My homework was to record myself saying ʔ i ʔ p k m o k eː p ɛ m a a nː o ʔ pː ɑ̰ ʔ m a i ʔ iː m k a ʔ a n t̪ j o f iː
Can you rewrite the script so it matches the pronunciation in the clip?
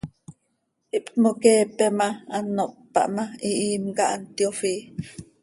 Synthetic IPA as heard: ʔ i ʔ p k m o k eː p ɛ m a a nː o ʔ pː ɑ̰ ʔ m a i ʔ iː m k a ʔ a n t̪ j o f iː

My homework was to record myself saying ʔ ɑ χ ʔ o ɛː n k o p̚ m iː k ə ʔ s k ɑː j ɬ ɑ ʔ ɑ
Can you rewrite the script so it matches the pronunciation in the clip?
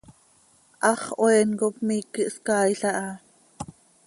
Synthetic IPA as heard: ʔ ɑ χ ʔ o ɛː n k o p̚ m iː k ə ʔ s k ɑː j ɬ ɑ ʔ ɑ

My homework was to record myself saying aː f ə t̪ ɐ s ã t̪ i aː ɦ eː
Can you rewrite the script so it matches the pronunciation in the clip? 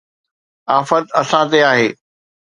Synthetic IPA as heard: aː f ə t̪ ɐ s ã t̪ e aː ɦ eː

